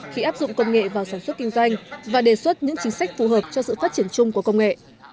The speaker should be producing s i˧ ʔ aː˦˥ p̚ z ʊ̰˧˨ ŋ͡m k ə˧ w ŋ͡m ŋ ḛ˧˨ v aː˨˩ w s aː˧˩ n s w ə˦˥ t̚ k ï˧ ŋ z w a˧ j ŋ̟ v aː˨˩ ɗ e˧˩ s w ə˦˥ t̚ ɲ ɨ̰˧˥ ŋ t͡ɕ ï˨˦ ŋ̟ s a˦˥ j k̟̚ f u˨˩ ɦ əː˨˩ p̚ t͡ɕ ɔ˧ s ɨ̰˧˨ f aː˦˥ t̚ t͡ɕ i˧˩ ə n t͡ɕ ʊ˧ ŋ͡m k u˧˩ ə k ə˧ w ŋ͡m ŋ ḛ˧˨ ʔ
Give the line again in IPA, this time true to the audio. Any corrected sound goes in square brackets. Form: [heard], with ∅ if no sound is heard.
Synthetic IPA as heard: [x] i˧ ʔ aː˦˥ p̚ z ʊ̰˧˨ ŋ͡m k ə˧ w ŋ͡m ŋ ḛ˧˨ v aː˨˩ w s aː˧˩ n s w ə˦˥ t̚ k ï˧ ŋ z w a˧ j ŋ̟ v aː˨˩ ɗ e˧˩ s w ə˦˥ t̚ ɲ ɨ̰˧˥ ŋ t͡ɕ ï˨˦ ŋ̟ s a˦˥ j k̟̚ f u˨˩ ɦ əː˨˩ p̚ t͡ɕ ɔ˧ s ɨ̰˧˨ f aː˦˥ t̚ t͡ɕ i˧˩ ə n t͡ɕ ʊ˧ ŋ͡m k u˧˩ ə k ə˧ w ŋ͡m ŋ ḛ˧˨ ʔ